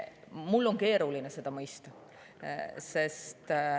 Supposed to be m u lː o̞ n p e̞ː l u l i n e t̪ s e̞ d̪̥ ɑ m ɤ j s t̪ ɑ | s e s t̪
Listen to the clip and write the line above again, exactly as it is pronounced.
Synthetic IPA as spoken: m u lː o̞ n k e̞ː ɾ u l i n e s e̞ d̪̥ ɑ m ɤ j s t̪ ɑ | s e s t̪